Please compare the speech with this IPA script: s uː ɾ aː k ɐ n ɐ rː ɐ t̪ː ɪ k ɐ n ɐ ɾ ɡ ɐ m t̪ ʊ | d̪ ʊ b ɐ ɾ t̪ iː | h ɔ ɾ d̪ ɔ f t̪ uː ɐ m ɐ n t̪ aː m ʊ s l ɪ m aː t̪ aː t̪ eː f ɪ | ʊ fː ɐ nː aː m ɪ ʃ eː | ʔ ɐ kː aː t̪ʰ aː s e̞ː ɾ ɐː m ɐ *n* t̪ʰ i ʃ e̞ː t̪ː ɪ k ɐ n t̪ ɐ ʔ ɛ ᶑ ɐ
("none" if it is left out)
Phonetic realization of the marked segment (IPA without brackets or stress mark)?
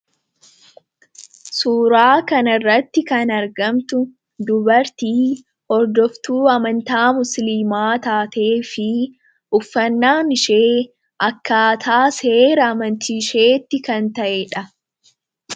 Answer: n